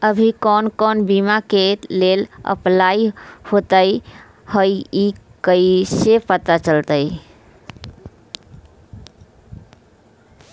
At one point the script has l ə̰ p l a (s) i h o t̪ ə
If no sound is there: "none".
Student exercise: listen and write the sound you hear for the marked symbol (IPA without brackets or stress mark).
none